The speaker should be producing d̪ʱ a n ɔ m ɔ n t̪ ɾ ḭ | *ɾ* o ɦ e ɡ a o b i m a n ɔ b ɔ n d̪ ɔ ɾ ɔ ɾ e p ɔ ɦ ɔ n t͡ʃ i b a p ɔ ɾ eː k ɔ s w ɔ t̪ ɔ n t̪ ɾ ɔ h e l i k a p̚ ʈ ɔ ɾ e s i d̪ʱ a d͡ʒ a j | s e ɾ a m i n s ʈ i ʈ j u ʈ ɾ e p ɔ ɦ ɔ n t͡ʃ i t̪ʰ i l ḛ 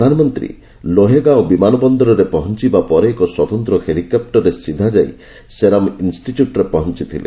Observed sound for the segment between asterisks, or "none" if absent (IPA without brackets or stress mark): l